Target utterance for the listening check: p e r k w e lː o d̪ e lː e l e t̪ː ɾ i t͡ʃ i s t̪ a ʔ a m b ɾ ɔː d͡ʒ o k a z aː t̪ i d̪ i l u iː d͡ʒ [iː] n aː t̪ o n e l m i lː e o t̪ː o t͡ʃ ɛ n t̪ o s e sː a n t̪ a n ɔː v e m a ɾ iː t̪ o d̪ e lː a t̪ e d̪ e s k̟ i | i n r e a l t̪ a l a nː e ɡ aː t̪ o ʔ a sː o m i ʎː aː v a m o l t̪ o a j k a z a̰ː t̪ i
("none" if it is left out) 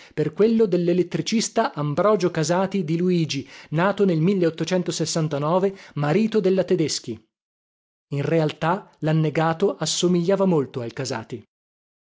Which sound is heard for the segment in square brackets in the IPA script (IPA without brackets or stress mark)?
i